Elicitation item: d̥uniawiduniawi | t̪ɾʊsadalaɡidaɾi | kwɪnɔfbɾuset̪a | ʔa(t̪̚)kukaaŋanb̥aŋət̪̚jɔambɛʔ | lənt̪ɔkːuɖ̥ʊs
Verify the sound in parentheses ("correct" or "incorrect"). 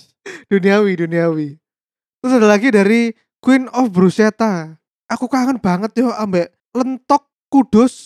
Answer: incorrect